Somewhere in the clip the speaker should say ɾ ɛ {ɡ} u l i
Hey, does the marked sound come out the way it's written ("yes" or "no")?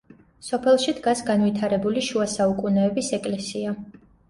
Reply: no